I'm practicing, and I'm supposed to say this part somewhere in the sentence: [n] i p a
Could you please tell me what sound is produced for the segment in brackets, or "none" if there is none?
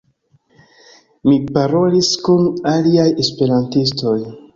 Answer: m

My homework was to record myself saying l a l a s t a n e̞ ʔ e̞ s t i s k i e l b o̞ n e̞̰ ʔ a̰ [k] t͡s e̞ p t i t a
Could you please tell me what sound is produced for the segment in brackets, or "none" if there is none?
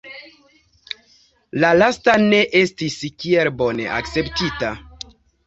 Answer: k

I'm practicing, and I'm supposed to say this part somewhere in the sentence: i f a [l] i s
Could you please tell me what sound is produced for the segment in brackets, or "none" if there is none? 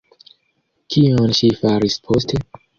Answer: ɾ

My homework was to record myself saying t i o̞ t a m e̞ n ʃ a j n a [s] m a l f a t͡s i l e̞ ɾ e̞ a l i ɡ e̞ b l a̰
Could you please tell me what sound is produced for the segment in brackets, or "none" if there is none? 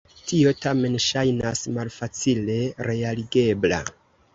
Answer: s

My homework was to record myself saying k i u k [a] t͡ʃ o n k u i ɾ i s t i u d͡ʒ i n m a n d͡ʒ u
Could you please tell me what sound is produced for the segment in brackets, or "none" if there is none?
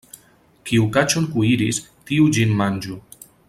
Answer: a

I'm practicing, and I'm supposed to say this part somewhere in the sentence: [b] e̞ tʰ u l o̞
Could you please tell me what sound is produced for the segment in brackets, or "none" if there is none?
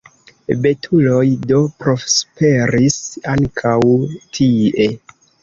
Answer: b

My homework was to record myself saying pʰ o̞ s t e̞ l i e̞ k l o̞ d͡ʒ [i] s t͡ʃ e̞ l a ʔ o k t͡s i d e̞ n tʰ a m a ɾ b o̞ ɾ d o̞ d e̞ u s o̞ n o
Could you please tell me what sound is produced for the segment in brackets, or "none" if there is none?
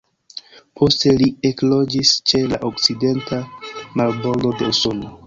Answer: i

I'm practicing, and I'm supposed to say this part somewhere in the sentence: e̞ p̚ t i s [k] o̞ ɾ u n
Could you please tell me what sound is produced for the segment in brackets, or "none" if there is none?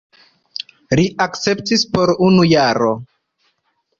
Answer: p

